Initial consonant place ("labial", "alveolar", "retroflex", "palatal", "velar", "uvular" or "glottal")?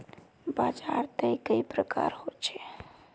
labial